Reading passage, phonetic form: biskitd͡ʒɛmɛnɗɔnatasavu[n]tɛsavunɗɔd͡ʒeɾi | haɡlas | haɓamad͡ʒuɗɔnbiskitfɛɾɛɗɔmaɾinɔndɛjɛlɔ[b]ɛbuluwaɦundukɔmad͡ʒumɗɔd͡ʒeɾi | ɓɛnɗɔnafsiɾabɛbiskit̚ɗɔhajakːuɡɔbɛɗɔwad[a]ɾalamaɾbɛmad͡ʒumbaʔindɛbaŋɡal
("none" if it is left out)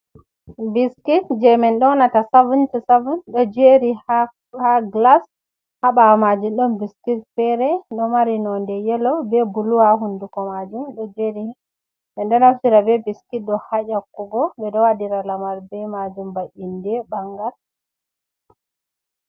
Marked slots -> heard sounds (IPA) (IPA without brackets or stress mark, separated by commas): n, b, i